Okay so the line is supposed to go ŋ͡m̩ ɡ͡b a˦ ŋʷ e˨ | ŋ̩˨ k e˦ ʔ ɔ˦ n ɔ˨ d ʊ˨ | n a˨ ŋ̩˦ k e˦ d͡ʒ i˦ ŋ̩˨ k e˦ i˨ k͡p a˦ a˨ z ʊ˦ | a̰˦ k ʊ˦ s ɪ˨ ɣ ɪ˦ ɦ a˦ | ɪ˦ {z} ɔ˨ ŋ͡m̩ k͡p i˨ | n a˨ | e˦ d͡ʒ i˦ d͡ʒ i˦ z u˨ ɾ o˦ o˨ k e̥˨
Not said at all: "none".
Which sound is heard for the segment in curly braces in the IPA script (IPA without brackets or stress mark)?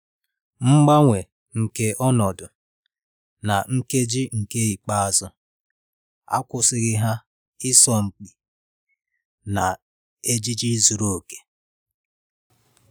s